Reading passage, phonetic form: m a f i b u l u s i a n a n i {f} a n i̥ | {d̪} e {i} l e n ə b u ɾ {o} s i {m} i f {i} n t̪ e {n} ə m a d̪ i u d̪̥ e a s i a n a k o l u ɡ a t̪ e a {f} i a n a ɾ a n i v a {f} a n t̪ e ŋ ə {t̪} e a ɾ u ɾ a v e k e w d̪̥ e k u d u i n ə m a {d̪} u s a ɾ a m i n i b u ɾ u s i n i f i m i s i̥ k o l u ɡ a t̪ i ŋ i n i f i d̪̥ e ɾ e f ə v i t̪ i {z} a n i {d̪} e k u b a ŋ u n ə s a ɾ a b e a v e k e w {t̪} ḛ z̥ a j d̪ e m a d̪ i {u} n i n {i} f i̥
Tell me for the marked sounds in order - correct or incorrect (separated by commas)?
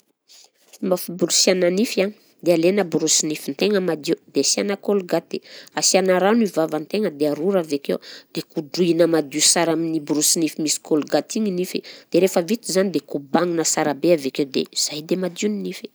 correct, correct, incorrect, incorrect, incorrect, correct, incorrect, incorrect, incorrect, incorrect, correct, correct, correct, incorrect, correct, correct